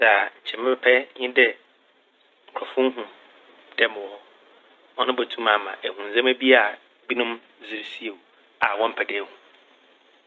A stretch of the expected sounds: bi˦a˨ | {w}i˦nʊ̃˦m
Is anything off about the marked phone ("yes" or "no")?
yes